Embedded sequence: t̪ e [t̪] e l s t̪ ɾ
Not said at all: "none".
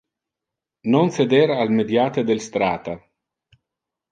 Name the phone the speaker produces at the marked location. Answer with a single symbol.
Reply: d̪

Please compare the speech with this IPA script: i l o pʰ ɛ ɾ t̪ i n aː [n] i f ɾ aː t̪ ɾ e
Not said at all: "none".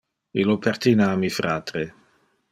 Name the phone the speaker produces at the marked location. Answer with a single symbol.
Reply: m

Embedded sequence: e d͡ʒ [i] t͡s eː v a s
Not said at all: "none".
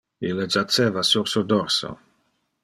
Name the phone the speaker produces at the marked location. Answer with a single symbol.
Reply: a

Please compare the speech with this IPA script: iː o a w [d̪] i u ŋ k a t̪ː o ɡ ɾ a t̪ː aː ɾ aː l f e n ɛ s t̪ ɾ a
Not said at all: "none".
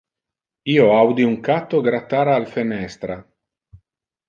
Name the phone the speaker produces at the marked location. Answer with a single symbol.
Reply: d̪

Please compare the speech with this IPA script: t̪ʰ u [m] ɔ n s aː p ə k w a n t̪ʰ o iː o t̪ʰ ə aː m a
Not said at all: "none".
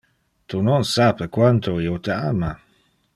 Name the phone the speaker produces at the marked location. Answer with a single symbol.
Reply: n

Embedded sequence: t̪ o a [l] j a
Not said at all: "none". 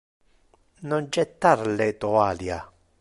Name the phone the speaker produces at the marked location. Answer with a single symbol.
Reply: l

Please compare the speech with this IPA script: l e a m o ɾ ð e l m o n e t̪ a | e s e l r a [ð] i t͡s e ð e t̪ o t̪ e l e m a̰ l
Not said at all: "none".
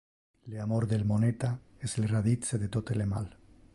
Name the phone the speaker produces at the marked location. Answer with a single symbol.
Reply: ð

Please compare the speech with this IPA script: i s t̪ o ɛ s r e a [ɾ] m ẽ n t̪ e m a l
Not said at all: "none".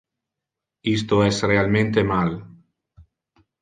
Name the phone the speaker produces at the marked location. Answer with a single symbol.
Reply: l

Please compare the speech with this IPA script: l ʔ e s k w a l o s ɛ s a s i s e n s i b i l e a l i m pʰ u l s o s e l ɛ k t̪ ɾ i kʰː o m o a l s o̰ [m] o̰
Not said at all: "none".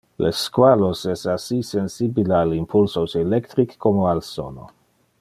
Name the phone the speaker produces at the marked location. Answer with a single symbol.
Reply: n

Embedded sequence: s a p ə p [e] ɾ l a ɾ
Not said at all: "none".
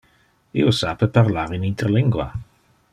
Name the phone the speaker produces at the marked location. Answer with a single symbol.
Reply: a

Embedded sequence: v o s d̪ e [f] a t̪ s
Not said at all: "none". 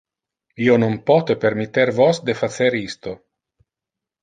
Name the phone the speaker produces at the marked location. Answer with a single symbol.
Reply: f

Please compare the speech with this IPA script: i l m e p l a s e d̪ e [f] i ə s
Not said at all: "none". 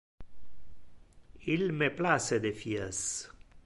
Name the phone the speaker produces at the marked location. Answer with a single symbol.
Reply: f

